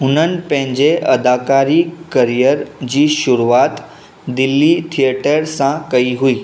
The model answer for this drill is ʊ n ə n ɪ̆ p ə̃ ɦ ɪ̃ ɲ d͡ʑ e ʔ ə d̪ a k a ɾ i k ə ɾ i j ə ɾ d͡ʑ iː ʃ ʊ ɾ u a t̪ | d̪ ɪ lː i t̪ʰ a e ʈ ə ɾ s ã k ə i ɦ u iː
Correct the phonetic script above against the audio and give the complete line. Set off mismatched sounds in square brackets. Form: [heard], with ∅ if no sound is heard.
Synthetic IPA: ʊ n ə n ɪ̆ p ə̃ ɦ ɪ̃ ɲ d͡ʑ e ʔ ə d̪ a k a ɾ i k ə ɾ i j ə ɾ d͡ʑ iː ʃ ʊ ɾ u a t̪ | d̪ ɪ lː i t̪ʰ [i] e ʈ ə ɾ s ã k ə i ɦ u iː